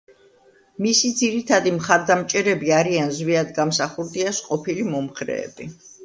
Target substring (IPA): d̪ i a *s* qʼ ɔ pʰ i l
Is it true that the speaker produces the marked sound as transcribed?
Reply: yes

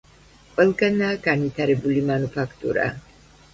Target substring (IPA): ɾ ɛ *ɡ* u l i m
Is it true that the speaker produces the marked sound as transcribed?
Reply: no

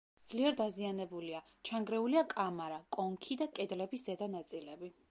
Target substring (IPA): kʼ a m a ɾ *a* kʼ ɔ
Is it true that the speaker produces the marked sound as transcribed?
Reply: yes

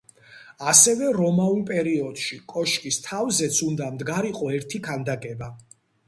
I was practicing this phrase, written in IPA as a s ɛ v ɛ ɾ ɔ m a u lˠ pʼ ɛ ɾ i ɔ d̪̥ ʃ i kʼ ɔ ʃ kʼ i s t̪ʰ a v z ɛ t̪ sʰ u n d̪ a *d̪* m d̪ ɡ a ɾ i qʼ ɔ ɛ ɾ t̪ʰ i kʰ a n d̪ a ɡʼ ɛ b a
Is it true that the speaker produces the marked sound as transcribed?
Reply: no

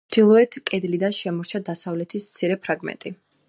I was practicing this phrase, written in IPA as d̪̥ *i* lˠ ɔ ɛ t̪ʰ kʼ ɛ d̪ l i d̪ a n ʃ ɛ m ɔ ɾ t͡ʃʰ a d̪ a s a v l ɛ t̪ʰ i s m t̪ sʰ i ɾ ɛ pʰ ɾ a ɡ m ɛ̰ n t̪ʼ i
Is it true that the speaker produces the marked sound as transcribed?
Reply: yes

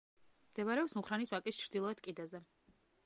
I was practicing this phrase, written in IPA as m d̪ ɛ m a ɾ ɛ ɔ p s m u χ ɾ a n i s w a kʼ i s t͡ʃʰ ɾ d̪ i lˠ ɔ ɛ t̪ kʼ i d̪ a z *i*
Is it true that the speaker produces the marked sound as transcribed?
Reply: no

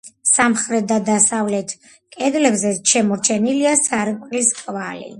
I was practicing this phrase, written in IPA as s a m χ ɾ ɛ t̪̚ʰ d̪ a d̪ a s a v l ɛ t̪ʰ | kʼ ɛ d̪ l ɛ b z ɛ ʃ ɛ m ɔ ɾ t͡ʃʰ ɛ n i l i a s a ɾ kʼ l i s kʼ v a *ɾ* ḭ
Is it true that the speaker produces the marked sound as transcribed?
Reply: no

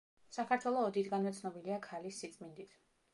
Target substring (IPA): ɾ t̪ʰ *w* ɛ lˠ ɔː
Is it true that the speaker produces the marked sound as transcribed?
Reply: yes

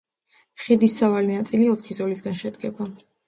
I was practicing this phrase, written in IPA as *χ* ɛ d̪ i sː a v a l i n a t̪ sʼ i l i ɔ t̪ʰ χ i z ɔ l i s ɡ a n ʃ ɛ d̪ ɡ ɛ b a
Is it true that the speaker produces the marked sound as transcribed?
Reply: yes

